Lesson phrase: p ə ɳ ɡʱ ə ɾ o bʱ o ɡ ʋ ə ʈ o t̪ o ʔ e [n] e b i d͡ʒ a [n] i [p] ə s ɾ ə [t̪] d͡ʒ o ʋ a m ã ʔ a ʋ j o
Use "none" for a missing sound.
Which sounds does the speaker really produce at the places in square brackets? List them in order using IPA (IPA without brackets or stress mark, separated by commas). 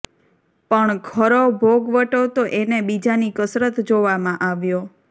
n, n, k, t̪